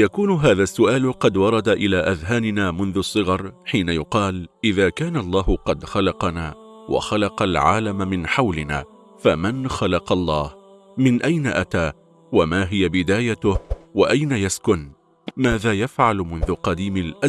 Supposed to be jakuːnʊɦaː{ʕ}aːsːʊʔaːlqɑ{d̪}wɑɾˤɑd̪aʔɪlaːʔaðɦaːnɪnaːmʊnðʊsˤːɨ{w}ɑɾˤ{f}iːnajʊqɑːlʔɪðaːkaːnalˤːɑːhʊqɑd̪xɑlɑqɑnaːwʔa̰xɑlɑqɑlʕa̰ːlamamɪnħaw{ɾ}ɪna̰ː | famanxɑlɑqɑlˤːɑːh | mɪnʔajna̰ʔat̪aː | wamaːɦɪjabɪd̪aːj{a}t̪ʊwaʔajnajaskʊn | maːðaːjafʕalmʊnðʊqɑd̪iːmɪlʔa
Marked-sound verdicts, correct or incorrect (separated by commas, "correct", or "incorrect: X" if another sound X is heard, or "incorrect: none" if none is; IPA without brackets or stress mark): incorrect: ð, correct, incorrect: ɣ, incorrect: ħ, incorrect: l, correct